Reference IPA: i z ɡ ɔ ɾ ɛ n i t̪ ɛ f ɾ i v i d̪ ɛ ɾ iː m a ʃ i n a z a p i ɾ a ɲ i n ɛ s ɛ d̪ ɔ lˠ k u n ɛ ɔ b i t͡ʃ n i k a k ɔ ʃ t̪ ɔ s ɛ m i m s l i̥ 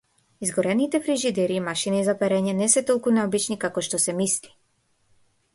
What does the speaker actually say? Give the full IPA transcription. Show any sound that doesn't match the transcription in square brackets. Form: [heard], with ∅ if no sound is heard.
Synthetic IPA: i z ɡ ɔ ɾ ɛ n i t̪ ɛ f ɾ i [ʒ] i d̪ ɛ ɾ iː m a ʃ i n [i] z a p [ɛ] ɾ [ɛ] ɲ [ɛ] n ɛ s ɛ [t̪] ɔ lˠ k u n ɛ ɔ b i t͡ʃ n i k a k ɔ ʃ t̪ ɔ s ɛ m i [∅] s l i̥